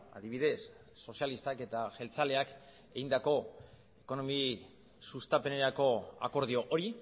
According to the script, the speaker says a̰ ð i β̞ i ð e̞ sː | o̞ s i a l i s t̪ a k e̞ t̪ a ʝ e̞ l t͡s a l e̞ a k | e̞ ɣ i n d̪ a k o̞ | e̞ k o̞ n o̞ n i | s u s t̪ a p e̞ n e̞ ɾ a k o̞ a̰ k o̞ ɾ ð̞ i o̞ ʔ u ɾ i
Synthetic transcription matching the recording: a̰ ð i β̞ i ð e̞ sː | o̞ s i a l i s t̪ a k e̞ t̪ a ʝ e̞ l t͡s a l e̞ a k | e̞ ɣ i n d̪ a k o̞ | e̞ k o̞ n o̞ m i | s u s t̪ a p e̞ n e̞ ɾ a k o̞ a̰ k o̞ ɾ ð̞ i o̞ ʔ o ɾ i

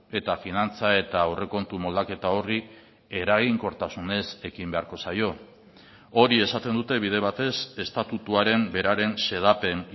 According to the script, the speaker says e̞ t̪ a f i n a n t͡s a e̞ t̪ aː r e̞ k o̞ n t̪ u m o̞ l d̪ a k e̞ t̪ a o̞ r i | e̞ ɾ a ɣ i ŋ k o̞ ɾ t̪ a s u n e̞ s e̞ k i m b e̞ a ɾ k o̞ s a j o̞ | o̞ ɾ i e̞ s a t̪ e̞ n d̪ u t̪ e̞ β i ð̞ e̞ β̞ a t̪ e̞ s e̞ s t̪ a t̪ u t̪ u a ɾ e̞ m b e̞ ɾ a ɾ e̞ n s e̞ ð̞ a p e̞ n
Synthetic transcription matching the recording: e̞ t̪ a f i n a n t͡s a e̞ t̪ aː r e̞ k o̞ n t̪ u m o̞ l d̪ a k e̞ t̪ a o̞ r i | e̞ ɾ a ɣ i ŋ k o̞ ɾ t̪ a s u n e̞ s e̞ k i m b e̞ a ɾ k o̞ s a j o̞ | o̞ ɾ i e̞ s a t̪ e̞ n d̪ u t̪ e̞ β i ð̞ e̞ β̞ a t̪ e̞ s e̞ s t̪ a t̪ u t̪ u a ɾ e̞ m b e̞ ɾ a ɾ e̞ n s e̞ ð̞ a p e̞ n

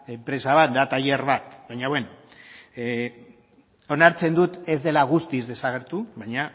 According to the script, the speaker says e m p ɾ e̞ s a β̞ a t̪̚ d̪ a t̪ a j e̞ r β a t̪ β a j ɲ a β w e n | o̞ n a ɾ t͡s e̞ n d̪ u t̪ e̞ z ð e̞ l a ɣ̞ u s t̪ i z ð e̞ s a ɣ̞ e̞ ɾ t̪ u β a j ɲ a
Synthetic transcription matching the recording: e m p ɾ e̞ s a β̞ a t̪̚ d̪ a t̪ a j e̞ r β a t̪ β a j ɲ a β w e n | o̞ n a ɾ t͡s e̞ n d̪ u t̪ e̞ z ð e̞ l a ɣ̞ u s t̪ i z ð e̞ s a ɣ̞ e̞ ɾ t̪ u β a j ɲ a

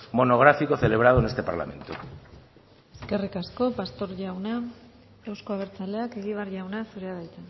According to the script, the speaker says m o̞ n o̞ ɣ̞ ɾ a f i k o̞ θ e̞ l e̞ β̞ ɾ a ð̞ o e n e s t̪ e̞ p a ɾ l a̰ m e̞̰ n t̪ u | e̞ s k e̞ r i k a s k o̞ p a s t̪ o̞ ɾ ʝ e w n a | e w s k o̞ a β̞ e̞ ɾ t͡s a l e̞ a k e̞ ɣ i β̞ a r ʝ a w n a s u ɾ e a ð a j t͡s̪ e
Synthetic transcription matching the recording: m o̞ n o̞ ɣ̞ ɾ a f i k o̞ θ e̞ l e̞ β̞ ɾ a ð̞ o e n e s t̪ e̞ p a ɾ l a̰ m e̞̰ n t̪ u | e̞ s k e̞ r i k a s k o̞ p a s t̪ o̞ ɾ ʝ a w n a | e w s k o̞ a β̞ e̞ ɾ t͡s a l e̞ a k e̞ ɣ i β̞ a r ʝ a w n a s u ɾ e a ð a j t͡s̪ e

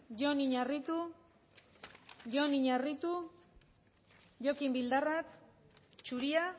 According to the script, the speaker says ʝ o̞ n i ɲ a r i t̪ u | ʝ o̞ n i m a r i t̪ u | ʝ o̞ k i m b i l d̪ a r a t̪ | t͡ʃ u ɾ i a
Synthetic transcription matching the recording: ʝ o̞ n i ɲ a r i t̪ u | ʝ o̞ n i ɲ a r i t̪ u | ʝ o̞ k i m b i l d̪ a r a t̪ | t͡ʃ u ɾ i a

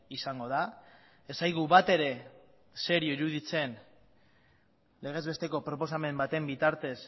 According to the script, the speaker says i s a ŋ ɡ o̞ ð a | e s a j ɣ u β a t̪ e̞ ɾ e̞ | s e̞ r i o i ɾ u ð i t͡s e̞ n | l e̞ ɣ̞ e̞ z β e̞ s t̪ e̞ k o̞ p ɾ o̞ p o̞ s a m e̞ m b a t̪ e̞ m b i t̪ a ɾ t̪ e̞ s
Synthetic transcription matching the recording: i s a ŋ ɡ o̞ ð a | e s a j ɣ u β a t̪ e̞ ɾ e̞ | s e̞ ɾ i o i ɾ u ð i t͡s e̞ n | l e̞ ɣ̞ e̞ z β e̞ s t̪ e̞ k o̞ p ɾ o̞ p o̞ s a m e̞ m b a t̪ e̞ m b i t̪ a ɾ t̪ e̞ s

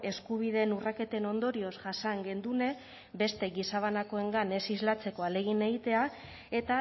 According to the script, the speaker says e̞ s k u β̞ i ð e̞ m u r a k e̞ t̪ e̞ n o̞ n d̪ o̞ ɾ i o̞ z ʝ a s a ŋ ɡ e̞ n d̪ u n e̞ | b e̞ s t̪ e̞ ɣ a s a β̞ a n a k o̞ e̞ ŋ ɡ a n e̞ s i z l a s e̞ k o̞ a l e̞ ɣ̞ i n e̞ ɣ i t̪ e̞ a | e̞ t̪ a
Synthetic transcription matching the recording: e̞ s k u β̞ i ð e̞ n u r a k e̞ t̪ e̞ n o̞ n d̪ o̞ ɾ i o̞ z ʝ a s a ŋ ɡ e̞ n d̪ u n e̞ | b e̞ s t̪ e̞ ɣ i s a β̞ a n a k o̞ e̞ ŋ ɡ a n e̞ s i z l a t͡s e̞ k o̞ a l e̞ ɣ̞ i n e̞ ɣ i t̪ e̞ a | e̞ t̪ a

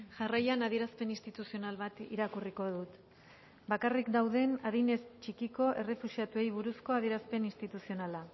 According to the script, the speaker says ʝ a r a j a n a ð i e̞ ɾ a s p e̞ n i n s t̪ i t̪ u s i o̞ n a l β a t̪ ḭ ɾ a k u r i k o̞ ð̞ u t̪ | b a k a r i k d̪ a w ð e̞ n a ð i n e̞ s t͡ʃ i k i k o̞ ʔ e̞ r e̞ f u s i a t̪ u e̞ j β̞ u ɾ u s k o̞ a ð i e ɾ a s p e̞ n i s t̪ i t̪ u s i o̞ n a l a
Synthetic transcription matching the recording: ʝ a r a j a n a ð i e̞ ɾ a s p e̞ n i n s t̪ i t̪ u s i o̞ n a l β a t̪ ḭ ɾ a k u r i k o̞ ð̞ u t̪ | b a k a r i k d̪ a w ð e̞ n a ð i n e̞ s t͡ʃ i k i k o̞ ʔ e̞ r e̞ f u s i a t̪ u e̞ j β̞ u ɾ u s k o̞ a ð i e ɾ a s p e̞ n i s t̪ i t̪ u s i o̞ n a l a

